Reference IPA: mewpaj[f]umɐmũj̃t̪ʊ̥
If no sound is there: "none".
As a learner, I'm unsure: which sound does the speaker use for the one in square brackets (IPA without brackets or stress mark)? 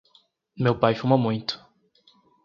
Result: f